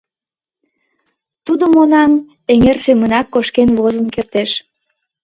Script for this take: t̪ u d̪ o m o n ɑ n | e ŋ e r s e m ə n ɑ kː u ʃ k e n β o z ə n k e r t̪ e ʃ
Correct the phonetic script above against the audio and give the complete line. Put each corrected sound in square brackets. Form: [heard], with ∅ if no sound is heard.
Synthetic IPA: t̪ u d̪ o m o n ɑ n | e ŋ e r s e m ə n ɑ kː [o] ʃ k e n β o z ə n k e r t̪ e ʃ

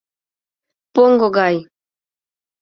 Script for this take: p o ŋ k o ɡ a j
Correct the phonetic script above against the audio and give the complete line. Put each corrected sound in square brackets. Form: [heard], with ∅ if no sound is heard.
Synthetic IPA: p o ŋ [ɡ] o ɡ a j

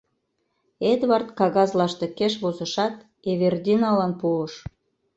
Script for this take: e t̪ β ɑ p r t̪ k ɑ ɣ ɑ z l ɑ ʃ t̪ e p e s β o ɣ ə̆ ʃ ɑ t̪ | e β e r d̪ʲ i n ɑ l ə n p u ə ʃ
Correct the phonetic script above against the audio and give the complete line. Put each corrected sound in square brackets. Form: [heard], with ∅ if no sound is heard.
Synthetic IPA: e [d̪] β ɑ [∅] r t̪ k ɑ ɣ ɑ z l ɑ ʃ t̪ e [k] e [ʃ] β o [z] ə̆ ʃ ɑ t̪ | e β e r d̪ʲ i n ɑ l [ɑ] n p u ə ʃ

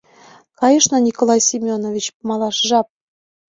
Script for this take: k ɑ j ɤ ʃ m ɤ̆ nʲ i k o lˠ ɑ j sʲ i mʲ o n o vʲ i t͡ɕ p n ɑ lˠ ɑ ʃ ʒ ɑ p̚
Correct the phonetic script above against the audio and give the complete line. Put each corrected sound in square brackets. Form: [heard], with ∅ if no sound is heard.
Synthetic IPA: k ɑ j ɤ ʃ [n] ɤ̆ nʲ i k o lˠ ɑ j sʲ i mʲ o n o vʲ i t͡ɕ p [m] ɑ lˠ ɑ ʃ ʒ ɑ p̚

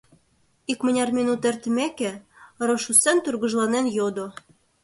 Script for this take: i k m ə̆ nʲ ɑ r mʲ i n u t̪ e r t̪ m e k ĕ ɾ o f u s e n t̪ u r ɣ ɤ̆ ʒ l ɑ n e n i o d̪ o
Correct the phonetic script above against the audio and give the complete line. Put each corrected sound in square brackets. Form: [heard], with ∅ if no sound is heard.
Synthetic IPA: i k m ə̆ nʲ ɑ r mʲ i n u t̪ e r t̪ m e k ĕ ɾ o [ʃ] u s e n t̪ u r ɣ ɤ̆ ʒ l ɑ n e n [j] o d̪ o

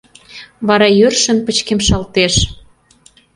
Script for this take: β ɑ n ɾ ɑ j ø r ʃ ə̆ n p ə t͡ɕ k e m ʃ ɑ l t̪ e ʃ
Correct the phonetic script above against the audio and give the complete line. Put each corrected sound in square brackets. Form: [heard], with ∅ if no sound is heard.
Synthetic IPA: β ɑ [∅] ɾ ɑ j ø r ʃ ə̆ n p ə t͡ɕ k e m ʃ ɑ l t̪ e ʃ

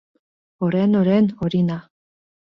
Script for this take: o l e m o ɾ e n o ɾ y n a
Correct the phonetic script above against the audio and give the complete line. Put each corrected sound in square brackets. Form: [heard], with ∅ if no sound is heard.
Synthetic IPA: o [ɾ] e [n] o ɾ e n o ɾ [i] n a

